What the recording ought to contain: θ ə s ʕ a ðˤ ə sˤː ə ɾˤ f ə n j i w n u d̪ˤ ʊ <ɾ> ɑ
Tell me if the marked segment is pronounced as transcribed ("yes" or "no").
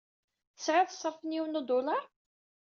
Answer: no